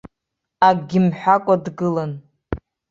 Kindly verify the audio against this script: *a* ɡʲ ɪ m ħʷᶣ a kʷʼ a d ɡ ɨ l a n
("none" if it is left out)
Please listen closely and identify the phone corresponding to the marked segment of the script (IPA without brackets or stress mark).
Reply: a